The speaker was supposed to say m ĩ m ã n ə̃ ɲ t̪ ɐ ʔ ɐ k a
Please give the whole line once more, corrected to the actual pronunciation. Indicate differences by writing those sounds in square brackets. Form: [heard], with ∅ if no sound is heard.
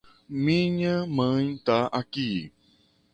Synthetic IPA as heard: m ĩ [ɲ] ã [m] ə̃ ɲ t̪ [a] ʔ [a] k [i]